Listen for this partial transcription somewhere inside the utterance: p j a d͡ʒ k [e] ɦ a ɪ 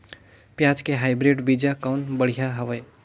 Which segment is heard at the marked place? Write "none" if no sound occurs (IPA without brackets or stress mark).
e